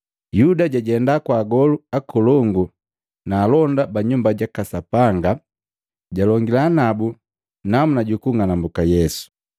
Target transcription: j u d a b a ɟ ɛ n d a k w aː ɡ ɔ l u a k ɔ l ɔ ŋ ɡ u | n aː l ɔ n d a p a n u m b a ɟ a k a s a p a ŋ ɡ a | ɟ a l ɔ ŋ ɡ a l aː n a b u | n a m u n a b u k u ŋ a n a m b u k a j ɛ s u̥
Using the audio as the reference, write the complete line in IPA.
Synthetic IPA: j u d a ɟ a ɟ ɛ n d a k w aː ɡ ɔ l u a k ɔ l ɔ ŋ ɡ u | n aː l ɔ n d a b a ɲ u m b a ɟ a k a s a p a ŋ ɡ a | ɟ a l ɔ ŋ ɡ i l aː n a b u | n a m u n a ɟ u k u ŋ a n a m b u k a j ɛ s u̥